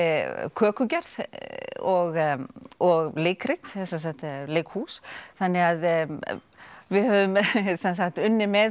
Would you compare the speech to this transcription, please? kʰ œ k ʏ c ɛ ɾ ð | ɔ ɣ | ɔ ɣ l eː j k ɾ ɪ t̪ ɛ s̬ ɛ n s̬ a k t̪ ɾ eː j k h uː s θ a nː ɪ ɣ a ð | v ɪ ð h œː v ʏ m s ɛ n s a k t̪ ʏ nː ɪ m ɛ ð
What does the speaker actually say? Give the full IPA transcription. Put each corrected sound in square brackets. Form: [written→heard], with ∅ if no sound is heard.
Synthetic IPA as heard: kʰ [œ→œː] k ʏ c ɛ ɾ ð | ɔ ɣ | ɔ ɣ l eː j k ɾ ɪ t̪ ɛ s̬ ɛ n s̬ a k t̪ [ɾ→l] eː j k h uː s θ a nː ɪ ɣ a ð | v ɪ ð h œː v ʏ m s ɛ n s a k t̪ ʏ nː ɪ m ɛ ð